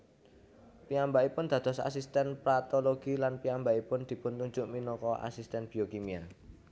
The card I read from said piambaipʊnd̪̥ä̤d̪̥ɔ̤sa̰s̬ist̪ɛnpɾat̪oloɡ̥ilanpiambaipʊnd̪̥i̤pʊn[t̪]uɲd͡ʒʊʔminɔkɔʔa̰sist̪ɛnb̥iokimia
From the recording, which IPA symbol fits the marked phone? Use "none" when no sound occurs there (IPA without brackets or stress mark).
t̪